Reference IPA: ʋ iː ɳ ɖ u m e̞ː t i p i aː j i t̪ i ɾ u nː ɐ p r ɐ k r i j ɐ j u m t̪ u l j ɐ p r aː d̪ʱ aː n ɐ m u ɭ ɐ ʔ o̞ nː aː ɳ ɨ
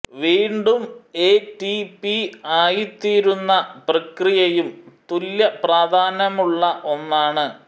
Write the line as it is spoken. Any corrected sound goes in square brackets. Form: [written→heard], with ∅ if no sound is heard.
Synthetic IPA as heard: ʋ iː ɳ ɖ u m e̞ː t i p i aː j i t̪ [i→iː] ɾ u nː ɐ p r ɐ k r i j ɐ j u m t̪ u l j ɐ p r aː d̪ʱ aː n ɐ m u [ɭ→ɭː] ɐ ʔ o̞ nː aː ɳ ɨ